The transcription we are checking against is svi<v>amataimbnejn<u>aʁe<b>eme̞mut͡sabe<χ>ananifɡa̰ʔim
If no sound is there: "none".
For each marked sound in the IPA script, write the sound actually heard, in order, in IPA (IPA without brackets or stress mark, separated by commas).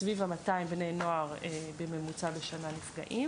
v, o, b, ʃ